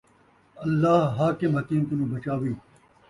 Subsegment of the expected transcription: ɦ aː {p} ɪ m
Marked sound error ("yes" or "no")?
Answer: yes